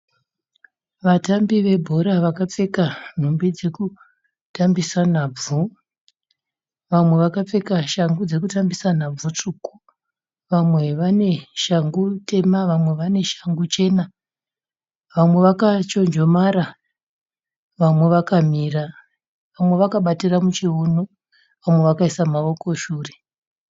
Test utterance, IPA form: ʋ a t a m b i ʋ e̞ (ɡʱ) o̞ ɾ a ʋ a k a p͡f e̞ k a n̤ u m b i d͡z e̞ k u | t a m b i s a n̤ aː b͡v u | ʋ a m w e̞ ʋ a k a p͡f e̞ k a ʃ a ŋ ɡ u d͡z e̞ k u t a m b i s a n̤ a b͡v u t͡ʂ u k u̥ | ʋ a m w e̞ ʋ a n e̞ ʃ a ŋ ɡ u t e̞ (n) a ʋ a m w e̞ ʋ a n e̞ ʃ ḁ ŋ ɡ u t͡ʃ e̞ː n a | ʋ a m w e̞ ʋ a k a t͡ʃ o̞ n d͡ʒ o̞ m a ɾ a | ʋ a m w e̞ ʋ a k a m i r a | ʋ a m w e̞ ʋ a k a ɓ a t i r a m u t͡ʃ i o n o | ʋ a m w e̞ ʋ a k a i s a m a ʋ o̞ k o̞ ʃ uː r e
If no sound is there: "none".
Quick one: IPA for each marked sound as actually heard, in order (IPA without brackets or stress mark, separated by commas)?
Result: bʱ, m